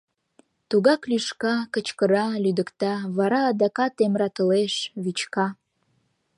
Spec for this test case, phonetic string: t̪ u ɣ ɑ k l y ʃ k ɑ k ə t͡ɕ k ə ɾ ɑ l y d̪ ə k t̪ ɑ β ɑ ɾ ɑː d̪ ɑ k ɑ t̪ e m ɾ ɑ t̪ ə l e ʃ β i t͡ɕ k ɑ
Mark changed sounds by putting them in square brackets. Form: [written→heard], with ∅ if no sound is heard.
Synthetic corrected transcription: t̪ u ɣ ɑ k l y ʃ k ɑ k ə t͡ɕ k ə ɾ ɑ l y d̪ ə k t̪ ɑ β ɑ ɾ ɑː d̪ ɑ k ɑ t̪ e m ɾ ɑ t̪ ə l e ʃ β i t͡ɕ k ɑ